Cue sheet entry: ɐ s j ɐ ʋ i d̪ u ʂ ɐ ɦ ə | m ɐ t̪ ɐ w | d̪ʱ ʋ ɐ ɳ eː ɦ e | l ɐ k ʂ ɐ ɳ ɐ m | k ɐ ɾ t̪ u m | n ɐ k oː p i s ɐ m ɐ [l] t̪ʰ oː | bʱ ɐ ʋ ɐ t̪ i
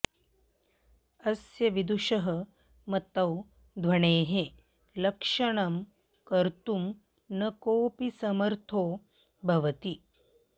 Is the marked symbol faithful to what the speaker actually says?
no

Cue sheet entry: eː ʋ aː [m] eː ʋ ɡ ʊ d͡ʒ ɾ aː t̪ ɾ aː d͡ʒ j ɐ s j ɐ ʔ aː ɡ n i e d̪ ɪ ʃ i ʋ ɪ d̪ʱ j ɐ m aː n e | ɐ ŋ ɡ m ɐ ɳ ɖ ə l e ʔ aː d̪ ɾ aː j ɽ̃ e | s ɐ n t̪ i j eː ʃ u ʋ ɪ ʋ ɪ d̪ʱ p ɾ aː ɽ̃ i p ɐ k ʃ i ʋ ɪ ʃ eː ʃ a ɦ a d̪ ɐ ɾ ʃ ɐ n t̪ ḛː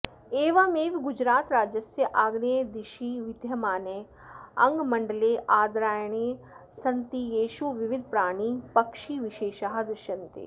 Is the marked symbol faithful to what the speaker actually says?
yes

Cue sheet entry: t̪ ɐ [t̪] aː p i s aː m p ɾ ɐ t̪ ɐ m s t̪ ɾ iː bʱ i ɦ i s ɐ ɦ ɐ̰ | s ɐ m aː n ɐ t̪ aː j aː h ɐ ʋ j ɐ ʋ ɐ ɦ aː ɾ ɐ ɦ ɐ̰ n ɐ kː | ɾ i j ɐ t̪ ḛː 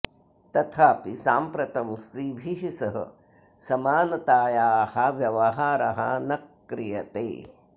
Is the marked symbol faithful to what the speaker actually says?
no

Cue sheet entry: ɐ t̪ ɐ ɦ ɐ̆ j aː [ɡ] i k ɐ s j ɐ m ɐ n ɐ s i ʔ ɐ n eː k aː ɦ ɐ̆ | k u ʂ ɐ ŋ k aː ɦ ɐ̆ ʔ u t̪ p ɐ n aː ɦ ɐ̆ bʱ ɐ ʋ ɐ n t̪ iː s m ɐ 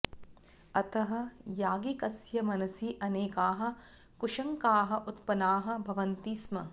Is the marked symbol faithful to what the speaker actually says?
yes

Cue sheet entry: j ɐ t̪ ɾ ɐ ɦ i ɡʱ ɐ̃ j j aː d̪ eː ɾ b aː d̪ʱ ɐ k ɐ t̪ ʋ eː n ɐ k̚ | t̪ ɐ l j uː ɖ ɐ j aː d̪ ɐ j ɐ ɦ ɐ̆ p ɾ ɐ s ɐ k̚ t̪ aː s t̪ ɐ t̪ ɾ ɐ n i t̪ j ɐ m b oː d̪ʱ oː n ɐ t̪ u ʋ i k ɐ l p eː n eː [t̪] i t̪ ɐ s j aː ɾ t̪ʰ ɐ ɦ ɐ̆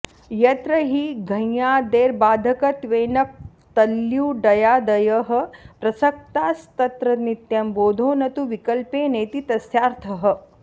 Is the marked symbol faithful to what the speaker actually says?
yes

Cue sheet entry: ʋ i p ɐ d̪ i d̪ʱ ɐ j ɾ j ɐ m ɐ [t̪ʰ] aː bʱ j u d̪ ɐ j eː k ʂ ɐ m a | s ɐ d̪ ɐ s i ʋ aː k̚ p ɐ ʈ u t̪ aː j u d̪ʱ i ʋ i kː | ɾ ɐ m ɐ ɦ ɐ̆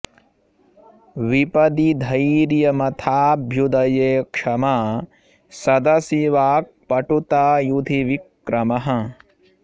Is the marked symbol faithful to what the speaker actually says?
yes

